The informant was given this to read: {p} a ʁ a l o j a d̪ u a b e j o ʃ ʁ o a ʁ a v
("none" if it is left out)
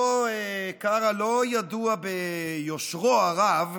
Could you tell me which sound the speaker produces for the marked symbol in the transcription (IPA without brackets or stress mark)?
k